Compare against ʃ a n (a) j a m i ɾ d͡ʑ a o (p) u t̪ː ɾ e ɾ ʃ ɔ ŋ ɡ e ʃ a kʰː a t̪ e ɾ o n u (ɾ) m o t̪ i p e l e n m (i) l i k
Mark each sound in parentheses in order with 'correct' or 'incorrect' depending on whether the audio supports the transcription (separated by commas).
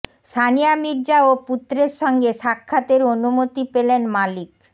incorrect, correct, incorrect, incorrect